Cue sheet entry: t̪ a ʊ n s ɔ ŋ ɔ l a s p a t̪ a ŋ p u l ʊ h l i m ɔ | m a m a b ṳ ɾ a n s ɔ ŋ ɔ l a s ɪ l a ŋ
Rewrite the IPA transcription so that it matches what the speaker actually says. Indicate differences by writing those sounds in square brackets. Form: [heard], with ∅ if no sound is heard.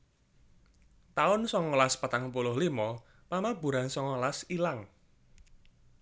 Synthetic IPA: t̪ a ʊ n s ɔ ŋ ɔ l a s p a t̪ a ŋ p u l ʊ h l i m ɔ | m a m a b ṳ ɾ a n s ɔ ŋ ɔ l a s [i] l a ŋ